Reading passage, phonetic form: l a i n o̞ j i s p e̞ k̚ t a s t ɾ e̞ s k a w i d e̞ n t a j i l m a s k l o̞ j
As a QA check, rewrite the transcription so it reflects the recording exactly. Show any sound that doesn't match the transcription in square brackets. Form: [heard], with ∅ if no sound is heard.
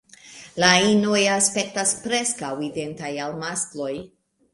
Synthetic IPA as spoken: l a i n o̞ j [a] s p e̞ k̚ t a s [p] ɾ e̞ s k a w i d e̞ n t a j [a] l m a s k l o̞ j

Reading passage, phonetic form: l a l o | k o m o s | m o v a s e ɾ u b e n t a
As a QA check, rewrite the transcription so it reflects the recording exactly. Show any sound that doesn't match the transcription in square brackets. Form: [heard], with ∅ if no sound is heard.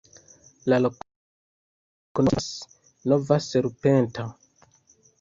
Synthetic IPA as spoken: l a l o | k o [n] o s | [n] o v a s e ɾ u [p] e n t a

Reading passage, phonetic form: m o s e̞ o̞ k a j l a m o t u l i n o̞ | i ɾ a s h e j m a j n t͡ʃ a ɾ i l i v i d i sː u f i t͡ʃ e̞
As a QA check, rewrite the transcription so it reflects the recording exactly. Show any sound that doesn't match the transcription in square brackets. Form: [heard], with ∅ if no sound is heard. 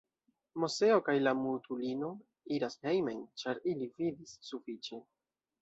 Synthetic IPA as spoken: m o s e̞ o̞ k a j l a m [u] t u l i n o̞ | i ɾ a s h e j m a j n t͡ʃ a ɾ i l i v i d i sː u f i t͡ʃ e̞

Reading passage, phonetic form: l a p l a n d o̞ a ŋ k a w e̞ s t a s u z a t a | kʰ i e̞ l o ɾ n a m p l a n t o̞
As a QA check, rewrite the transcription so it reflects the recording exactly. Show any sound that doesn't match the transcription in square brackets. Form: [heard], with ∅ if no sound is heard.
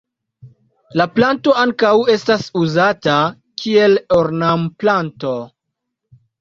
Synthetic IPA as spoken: l a p l a n [t] o̞ a ŋ k a w e̞ s t a s u z a t a | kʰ i e̞ l o ɾ n a m p l a n t o̞

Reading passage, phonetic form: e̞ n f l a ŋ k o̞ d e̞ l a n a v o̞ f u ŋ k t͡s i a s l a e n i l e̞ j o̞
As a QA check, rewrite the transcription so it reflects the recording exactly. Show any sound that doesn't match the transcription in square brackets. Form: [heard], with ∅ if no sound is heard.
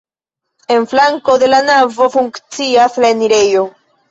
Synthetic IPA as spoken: e̞ n f l a ŋ k o̞ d e̞ l a n a v o̞ f u ŋ k t͡s i a s l a e n i [ɾ] e̞ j o̞

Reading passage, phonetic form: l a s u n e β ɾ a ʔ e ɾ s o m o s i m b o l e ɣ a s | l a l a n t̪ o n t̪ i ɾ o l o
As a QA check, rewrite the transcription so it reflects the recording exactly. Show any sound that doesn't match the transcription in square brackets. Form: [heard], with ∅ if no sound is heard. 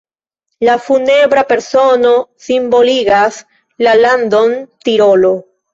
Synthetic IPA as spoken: l a [f] u n e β ɾ a [p] e ɾ s o [n] o s i m b o l [i] ɣ a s | l a l a n [d̪] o n t̪ i ɾ o l o

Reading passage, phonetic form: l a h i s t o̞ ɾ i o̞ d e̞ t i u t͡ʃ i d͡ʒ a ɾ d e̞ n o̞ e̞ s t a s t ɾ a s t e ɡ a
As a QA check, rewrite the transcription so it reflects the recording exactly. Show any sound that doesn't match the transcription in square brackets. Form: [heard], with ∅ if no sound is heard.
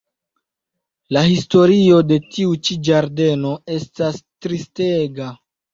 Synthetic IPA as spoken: l a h i s t o̞ ɾ i o̞ d e̞ t i u t͡ʃ i d͡ʒ a ɾ d e̞ n o̞ e̞ s t a s t ɾ [i] s t e ɡ a

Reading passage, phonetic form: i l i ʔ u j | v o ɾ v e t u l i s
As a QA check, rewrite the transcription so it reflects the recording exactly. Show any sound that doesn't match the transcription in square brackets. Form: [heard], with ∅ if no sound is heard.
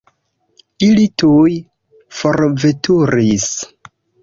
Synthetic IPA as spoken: i l i [t] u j | [f] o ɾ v e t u [ɾ] i s

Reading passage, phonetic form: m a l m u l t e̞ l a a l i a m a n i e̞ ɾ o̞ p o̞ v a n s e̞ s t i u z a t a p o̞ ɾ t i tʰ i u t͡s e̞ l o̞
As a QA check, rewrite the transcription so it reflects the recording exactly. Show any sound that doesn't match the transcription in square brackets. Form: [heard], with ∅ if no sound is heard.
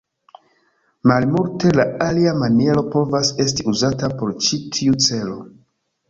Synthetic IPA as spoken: m a l m u l t e̞ l a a l i a m a n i e̞ ɾ o̞ p o̞ v a [∅] s e̞ s t i u z a t a p o̞ ɾ [t͡ʃ] i tʰ i u t͡s e̞ l o̞

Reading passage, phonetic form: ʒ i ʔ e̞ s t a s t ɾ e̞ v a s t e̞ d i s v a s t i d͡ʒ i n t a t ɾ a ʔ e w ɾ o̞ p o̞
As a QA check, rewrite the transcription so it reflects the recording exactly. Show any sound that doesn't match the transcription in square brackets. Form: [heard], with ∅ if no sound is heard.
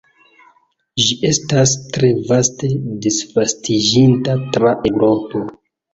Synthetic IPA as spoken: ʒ i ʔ e̞ s t a s t ɾ e̞ v a s t e̞ d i s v a s t i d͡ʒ i n t a t ɾ a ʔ e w ɾ o̞ p o̞

